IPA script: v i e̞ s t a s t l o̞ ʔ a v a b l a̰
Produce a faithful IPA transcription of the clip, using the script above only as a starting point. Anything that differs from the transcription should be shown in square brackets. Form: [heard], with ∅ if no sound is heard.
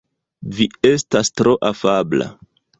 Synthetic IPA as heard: v i e̞ s t a s t [ɾ] o̞ ʔ a [f] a b l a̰

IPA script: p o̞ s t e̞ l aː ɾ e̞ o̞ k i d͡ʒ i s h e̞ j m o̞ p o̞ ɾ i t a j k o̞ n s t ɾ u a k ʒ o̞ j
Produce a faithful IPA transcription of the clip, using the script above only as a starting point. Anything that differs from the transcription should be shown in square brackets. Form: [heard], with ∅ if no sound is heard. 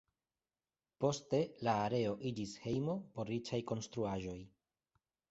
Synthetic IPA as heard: p o̞ s t e̞ l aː ɾ e̞ o̞ [ʔ] i d͡ʒ i s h e̞ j m o̞ p o̞ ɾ i [t͡ʃ] a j k o̞ n s t ɾ u a [∅] ʒ o̞ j

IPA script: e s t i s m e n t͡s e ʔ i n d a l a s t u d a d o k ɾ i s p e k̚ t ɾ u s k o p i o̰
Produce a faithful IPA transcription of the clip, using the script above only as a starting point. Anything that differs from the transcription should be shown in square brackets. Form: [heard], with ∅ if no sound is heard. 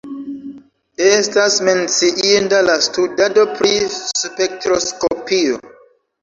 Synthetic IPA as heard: e s t [a] s m e n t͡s [i] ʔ i n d a l a s t u d a d o [p] ɾ i s p e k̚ t ɾ [o] s k o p i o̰

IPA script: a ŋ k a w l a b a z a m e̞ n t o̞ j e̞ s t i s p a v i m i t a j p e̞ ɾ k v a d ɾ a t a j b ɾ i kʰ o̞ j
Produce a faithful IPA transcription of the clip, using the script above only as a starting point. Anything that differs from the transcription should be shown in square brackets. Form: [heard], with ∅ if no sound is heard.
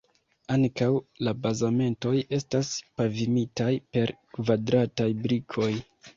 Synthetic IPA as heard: a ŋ k a w l a b a z a m e̞ n t o̞ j e̞ s t [a] s p a v i m i t a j p e̞ ɾ k v a d ɾ a t a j b ɾ i kʰ o̞ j

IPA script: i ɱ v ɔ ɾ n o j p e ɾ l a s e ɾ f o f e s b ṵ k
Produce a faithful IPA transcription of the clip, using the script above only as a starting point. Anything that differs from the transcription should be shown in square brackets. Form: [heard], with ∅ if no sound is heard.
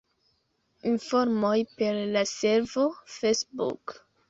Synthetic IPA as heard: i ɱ [f] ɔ ɾ [m] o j p e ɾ l a s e ɾ [v] o f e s b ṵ k

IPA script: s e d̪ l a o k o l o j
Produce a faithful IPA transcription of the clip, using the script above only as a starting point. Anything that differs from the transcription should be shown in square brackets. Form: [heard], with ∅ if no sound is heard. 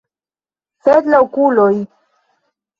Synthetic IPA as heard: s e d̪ l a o k [u] l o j

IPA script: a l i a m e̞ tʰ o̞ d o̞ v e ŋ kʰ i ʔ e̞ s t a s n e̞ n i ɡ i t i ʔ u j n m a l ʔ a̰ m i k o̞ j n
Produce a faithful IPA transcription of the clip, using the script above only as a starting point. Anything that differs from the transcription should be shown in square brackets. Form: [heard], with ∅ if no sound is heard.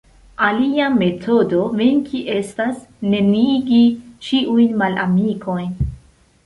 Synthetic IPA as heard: a l i a m e̞ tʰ o̞ d o̞ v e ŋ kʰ i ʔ e̞ s t a s n e̞ n i ɡ i [t͡ʃ] i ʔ u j n m a l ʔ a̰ m i k o̞ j n

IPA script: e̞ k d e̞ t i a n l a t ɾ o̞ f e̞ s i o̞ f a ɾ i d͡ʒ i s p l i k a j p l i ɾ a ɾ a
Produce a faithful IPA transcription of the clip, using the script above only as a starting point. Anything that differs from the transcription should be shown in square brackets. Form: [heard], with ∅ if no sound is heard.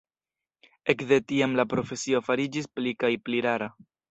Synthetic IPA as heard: e̞ k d e̞ t i a [m] l a [p] ɾ o̞ f e̞ s i o̞ f a ɾ i d͡ʒ i s p l i k a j p l i ɾ a ɾ a

